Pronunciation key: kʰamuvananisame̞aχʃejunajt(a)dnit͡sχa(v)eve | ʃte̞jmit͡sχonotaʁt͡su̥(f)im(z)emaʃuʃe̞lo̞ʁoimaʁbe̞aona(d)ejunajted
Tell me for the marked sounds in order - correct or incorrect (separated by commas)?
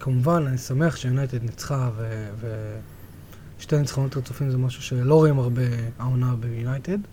incorrect, correct, correct, correct, incorrect